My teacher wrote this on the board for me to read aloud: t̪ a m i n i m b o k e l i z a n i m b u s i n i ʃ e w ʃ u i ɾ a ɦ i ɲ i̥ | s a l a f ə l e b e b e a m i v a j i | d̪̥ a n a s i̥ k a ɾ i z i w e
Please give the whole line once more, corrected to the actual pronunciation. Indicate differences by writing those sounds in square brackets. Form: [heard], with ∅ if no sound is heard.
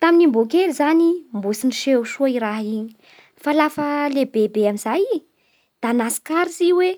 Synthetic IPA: t̪ a m i n i m b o k e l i z a n i m b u s i n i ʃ e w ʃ u i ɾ a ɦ i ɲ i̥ | [f] a l a f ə l e b e b e a m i [z] a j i | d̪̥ a n a s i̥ k a ɾ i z i w e